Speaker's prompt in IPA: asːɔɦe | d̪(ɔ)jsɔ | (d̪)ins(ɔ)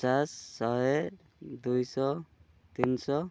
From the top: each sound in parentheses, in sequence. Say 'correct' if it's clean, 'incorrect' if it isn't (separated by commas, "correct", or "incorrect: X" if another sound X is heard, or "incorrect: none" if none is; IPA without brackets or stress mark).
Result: incorrect: u, incorrect: t̪, correct